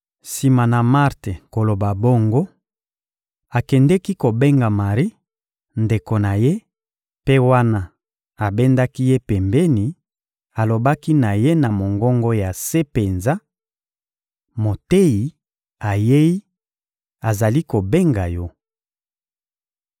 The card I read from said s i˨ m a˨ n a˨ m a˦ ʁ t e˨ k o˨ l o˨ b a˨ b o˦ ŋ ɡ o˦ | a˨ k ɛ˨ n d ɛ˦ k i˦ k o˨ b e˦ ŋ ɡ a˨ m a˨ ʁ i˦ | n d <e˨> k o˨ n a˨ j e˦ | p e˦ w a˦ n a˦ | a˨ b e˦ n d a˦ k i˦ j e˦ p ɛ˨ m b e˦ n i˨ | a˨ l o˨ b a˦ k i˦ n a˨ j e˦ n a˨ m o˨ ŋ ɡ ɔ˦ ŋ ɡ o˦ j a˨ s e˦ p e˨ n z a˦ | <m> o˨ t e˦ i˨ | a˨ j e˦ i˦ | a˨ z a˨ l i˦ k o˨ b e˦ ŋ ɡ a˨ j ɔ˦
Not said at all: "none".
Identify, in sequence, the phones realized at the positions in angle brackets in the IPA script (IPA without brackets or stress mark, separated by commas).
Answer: e˨, m